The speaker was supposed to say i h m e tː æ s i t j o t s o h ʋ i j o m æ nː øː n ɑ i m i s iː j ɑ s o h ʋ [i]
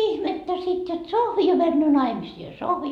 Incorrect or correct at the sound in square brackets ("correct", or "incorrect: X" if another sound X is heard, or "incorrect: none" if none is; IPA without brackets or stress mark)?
correct